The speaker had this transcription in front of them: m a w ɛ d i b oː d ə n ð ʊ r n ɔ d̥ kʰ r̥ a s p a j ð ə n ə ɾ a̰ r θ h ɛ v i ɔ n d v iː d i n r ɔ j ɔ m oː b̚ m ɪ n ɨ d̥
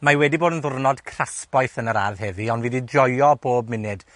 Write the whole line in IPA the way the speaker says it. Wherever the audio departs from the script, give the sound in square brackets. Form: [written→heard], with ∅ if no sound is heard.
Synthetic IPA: m a w ɛ d i b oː d ə n ð ʊ r n ɔ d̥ kʰ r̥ a s p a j [ð→θ] ə n ə ɾ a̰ r [θ→ð] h ɛ v i ɔ n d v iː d i [n→d] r ɔ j ɔ [m→b] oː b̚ m ɪ n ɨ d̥